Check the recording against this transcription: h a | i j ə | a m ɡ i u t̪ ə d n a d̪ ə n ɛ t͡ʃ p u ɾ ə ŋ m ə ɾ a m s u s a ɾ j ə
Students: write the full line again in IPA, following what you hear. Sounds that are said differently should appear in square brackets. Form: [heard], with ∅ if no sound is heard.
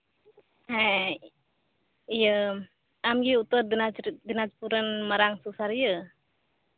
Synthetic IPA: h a | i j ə | a m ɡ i u t̪ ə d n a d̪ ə n [a] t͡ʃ p u ɾ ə [n] m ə ɾ a [ŋ] s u s a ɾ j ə